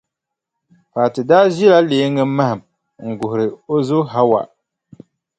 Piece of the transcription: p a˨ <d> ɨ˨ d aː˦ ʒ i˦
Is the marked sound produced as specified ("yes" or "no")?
no